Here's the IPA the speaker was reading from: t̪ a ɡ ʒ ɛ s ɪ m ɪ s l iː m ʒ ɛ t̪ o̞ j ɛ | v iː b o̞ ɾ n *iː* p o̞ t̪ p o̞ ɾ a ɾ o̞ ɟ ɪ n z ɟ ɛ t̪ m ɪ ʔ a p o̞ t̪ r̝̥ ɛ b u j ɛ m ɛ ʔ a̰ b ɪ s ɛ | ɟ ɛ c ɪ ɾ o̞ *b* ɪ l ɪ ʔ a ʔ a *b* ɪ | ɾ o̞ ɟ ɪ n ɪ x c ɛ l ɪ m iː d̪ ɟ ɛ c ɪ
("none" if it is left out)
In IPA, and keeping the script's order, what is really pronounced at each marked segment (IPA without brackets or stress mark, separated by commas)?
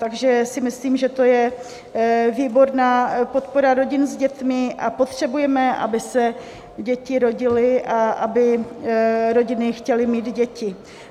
aː, ɟ, b